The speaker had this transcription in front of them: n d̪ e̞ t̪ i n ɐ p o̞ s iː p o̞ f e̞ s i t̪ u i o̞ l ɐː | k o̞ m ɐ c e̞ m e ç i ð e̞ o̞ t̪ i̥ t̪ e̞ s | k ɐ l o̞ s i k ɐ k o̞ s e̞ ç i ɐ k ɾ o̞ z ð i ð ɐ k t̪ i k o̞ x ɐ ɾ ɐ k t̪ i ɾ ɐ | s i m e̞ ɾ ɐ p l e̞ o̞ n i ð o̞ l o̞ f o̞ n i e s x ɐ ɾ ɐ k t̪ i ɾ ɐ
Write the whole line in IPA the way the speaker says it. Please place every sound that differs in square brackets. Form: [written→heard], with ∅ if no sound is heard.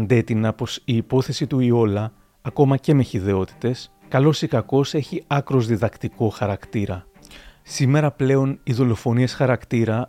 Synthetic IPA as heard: n d̪ e̞ t̪ i n ɐ p o̞ s iː p o̞ [f→θ] e̞ s i t̪ u i o̞ l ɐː | k o̞ m ɐ c e̞ m e ç i ð e̞ o̞ t̪ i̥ t̪ e̞ s | k ɐ l o̞ s i k ɐ k o̞ s e̞ ç i ɐ k ɾ o̞ z ð i ð ɐ k t̪ i k o̞ x ɐ ɾ ɐ k t̪ i ɾ ɐ | s i m e̞ ɾ ɐ p l e̞ o̞ n i ð o̞ l o̞ f o̞ n i e s x ɐ ɾ ɐ k t̪ i ɾ ɐ